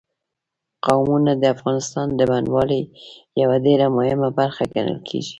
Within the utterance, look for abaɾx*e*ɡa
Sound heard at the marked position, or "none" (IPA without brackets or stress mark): a